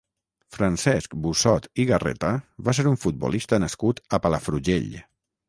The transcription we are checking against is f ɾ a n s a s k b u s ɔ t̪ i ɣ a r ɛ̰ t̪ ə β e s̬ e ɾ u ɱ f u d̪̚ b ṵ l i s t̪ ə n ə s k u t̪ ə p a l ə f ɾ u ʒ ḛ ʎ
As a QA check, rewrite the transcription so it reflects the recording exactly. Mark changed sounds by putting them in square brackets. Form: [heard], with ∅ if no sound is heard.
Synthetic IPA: f ɾ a n s [ɛ] s k b u s ɔ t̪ i ɣ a r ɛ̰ t̪ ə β [a] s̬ e ɾ u ɱ f u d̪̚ b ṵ l i s t̪ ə n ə s k u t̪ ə p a l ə f ɾ u ʒ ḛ ʎ